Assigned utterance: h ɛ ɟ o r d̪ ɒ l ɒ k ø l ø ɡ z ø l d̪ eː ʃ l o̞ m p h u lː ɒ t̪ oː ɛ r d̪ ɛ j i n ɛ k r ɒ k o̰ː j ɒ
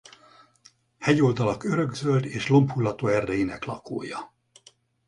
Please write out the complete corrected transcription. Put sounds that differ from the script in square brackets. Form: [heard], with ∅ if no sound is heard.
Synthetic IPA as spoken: h ɛ ɟ o [l] d̪ ɒ l ɒ k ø [ɾ] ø ɡ z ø l d̪ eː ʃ l o̞ m p h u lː ɒ t̪ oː ɛ r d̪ ɛ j i n ɛ k [l] ɒ k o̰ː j ɒ